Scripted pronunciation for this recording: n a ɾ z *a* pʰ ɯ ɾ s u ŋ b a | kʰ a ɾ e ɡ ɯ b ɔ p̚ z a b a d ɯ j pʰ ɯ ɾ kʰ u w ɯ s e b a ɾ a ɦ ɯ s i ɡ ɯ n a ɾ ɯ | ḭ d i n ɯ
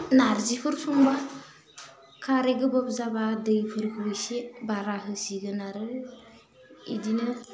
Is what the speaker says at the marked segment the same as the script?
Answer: no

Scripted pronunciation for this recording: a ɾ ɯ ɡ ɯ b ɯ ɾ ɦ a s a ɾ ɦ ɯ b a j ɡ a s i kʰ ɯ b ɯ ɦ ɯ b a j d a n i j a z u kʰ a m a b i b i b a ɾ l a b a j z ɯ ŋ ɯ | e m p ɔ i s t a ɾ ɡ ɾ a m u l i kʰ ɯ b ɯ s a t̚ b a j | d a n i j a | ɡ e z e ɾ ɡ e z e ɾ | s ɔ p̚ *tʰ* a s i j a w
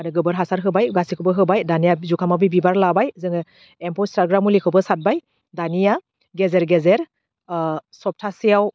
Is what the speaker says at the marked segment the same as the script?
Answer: yes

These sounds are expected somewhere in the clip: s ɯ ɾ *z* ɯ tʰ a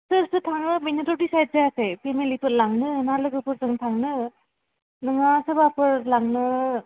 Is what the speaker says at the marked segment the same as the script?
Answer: no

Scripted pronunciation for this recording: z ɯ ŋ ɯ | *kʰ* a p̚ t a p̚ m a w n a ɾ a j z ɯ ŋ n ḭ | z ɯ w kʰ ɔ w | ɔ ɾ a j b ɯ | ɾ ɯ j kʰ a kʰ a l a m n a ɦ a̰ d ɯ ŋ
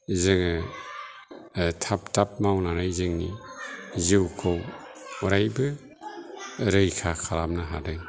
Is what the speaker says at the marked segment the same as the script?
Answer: no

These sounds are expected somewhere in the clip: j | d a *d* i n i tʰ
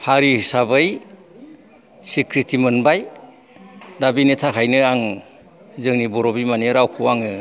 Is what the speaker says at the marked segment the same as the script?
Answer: no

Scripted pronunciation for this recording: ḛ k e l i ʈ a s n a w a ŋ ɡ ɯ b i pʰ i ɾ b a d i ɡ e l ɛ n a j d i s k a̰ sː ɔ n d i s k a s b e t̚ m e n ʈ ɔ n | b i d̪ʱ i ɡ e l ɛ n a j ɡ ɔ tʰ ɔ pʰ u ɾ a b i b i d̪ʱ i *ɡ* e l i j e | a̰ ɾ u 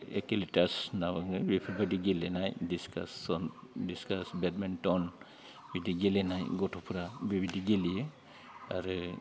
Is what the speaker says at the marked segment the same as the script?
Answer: yes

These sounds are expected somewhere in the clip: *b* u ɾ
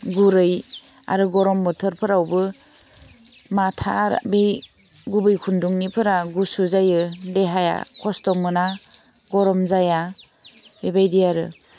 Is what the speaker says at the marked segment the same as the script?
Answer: no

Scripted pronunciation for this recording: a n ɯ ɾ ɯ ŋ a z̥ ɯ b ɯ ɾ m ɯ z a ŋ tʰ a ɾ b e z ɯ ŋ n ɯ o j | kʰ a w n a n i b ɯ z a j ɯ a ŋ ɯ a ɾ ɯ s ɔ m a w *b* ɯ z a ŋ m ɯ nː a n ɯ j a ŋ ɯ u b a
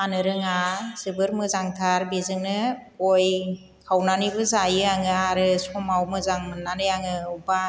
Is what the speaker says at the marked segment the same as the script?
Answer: no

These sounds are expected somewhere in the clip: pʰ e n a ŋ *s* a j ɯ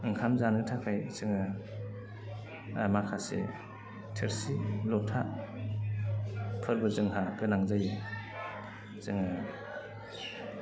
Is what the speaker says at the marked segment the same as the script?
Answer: no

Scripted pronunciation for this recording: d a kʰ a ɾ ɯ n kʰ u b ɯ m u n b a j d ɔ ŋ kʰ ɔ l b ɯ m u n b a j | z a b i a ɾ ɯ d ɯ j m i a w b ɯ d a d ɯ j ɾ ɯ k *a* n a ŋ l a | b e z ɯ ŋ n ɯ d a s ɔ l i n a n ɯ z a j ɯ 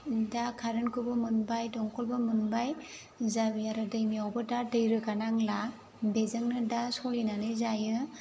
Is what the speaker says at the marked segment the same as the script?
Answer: yes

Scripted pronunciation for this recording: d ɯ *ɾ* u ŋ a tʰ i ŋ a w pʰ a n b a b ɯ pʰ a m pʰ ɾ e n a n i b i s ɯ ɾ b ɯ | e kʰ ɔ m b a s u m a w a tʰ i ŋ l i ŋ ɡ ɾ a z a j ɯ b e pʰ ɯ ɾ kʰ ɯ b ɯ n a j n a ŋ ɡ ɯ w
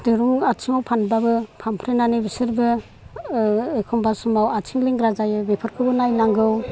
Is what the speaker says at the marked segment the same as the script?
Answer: yes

